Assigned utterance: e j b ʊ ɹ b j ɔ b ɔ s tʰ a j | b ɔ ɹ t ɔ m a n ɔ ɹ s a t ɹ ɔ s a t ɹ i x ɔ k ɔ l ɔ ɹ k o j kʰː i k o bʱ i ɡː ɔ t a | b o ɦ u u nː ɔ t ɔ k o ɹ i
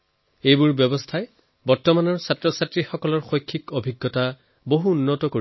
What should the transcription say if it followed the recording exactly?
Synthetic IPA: e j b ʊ ɹ b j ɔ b ɔ s tʰ a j | b ɔ ɹ t ɔ m a n ɔ ɹ s a t ɹ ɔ s a t ɹ i x ɔ k ɔ l ɔ ɹ x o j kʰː i k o bʱ i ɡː ɔ t a | b o ɦ u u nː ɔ t ɔ k o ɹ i